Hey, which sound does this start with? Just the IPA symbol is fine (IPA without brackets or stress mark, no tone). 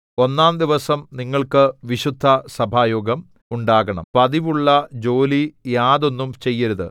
o̞